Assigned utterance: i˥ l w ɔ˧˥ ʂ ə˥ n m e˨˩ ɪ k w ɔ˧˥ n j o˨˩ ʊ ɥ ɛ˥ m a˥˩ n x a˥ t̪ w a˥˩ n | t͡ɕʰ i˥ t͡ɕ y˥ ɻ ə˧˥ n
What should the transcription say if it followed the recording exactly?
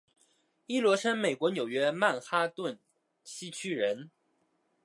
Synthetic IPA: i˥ l w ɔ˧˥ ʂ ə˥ n m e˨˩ ɪ k w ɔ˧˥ n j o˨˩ ʊ ɥ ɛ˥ m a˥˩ n x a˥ t̪ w ə˥˩ n | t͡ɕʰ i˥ t͡ɕʰ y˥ ɻ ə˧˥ n